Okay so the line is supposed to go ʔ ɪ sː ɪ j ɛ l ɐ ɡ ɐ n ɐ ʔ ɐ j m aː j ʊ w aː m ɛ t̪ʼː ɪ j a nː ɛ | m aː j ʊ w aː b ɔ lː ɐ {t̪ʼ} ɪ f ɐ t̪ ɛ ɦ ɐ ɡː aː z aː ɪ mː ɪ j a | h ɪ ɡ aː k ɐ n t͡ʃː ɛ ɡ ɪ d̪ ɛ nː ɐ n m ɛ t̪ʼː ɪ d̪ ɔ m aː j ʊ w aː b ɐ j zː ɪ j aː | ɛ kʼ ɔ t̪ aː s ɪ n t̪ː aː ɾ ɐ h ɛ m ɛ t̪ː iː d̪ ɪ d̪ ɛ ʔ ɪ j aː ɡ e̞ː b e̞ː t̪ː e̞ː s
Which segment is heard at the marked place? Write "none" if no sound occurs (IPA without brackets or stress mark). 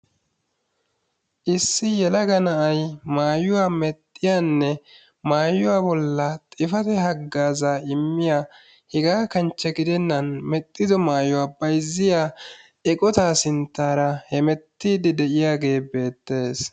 t̪ʼ